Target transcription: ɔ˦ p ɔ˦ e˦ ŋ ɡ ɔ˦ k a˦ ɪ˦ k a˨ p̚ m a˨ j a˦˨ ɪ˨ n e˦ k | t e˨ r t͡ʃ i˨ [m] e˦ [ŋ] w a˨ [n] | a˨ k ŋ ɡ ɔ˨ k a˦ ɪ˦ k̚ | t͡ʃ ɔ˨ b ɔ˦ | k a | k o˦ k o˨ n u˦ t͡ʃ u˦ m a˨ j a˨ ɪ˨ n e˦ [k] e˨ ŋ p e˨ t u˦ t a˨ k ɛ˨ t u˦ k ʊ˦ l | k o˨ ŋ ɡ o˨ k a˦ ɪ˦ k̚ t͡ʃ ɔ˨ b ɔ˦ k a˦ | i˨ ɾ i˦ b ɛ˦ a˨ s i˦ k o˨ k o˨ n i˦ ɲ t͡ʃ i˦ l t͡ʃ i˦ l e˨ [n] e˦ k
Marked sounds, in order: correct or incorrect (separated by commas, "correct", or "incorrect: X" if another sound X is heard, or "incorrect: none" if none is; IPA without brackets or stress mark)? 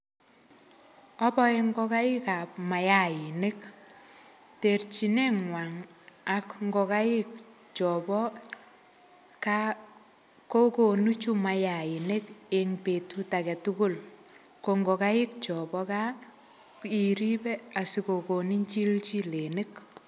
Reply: incorrect: n, correct, incorrect: ŋ, correct, correct